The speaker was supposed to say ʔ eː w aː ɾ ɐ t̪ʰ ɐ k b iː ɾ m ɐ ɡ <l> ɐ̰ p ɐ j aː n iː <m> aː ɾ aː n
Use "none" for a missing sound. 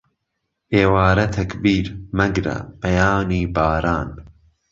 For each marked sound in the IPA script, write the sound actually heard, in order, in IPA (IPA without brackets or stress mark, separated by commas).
ɾ, b